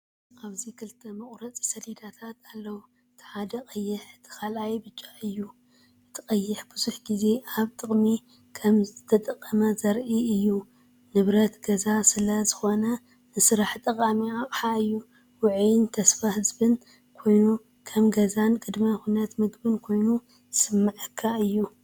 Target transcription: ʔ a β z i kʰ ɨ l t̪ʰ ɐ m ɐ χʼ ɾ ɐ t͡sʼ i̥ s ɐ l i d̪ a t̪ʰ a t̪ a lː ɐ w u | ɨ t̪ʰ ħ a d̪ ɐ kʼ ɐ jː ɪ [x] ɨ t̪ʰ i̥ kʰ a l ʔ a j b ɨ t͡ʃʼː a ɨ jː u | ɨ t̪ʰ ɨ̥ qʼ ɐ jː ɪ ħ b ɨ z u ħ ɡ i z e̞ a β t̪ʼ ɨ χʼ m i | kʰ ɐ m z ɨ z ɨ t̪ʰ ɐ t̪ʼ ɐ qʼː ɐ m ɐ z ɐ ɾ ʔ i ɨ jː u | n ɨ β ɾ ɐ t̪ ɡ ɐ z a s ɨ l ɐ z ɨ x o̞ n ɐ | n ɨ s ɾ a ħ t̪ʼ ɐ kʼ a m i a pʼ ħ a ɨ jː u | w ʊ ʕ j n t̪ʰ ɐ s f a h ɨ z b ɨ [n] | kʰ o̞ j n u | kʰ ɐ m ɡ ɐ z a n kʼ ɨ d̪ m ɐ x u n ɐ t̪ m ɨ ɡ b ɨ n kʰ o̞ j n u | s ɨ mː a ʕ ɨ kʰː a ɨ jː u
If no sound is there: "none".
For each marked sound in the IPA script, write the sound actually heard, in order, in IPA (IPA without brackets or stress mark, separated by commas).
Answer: ħ, n